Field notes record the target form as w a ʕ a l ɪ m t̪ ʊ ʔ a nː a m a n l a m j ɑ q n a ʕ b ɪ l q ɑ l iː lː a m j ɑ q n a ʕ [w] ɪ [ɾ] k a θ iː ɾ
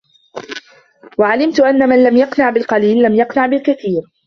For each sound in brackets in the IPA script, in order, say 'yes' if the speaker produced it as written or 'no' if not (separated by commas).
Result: no, no